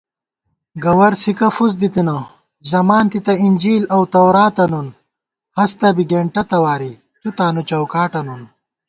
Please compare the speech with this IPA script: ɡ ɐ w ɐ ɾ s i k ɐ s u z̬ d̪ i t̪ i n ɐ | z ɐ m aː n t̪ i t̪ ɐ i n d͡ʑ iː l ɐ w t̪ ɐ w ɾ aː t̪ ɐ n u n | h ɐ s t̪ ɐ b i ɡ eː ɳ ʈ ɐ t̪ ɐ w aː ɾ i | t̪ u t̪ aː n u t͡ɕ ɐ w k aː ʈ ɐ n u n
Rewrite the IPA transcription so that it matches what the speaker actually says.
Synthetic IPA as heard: ɡ ɐ w ɐ ɾ s i k ɐ f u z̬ d̪ i t̪ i n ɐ | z ɐ m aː n t̪ i t̪ ɐ i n d͡ʑ iː l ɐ w t̪ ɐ w ɾ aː t̪ ɐ n u n | h ɐ s t̪ ɐ b i ɡ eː ɳ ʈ ɐ t̪ ɐ w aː ɾ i | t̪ u t̪ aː n u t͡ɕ ɐ w k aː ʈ ɐ n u n